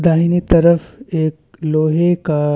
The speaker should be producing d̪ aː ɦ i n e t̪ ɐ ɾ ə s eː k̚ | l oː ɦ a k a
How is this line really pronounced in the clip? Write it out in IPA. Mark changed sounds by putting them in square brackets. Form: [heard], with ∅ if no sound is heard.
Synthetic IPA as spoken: d̪ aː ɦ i n [i] t̪ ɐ ɾ ə [f] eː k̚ | l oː ɦ [e] k a